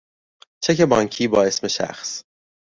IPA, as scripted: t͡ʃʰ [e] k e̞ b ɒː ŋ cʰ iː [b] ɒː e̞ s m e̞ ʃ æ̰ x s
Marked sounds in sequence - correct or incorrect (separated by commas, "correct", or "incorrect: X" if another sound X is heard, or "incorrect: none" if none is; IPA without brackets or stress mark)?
correct, correct